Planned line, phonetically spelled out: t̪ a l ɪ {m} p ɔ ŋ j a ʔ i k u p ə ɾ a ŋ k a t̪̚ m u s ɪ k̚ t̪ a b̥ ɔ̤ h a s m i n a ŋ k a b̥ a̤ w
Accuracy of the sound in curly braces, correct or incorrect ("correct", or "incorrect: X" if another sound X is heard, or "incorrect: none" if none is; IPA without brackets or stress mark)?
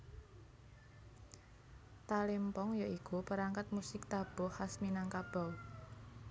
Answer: correct